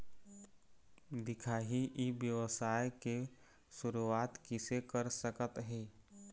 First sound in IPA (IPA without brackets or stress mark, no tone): d̪